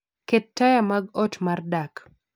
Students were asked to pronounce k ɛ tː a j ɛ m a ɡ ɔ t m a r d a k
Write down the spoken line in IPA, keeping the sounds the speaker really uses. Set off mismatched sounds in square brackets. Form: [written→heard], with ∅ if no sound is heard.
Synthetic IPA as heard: k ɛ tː a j [ɛ→a] m a ɡ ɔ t m a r d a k